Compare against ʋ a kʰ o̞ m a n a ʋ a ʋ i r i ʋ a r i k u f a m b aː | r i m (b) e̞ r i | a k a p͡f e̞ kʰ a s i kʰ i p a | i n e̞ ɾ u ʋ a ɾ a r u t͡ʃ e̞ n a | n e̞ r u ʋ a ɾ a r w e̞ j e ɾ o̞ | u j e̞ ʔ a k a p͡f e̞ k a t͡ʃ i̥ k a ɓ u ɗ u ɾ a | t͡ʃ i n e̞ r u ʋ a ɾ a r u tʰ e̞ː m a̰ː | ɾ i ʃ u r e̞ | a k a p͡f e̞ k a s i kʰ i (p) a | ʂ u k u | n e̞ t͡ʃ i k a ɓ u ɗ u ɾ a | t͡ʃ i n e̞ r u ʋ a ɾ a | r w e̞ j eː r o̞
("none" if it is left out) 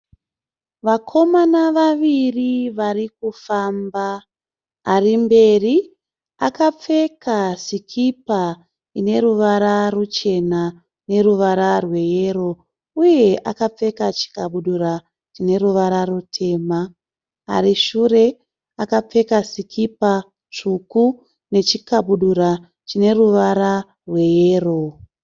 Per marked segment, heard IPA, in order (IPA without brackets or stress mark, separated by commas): b, p